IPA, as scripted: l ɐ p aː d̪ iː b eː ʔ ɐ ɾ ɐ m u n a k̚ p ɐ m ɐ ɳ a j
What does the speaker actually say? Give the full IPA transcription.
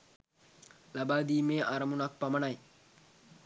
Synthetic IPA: l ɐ b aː d̪ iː m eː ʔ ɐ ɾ ɐ m u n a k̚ p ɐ m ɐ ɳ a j